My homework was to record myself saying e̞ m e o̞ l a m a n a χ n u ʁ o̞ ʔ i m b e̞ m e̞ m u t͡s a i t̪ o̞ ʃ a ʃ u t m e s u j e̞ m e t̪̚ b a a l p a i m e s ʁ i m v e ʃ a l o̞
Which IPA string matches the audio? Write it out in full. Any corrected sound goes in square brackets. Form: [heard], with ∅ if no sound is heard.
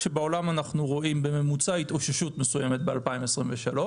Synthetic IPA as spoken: e̞ [b] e o̞ l a m a n a χ n u ʁ o̞ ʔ i m b e̞ m e̞ m u t͡s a i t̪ o̞ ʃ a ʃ u t m e s u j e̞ m e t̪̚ b [e] a l p a i m e s ʁ i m v e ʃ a l o̞